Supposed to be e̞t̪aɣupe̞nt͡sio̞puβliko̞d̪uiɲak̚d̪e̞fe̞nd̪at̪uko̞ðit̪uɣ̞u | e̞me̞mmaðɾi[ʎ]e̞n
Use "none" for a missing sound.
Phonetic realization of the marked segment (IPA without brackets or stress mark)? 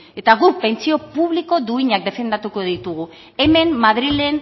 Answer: l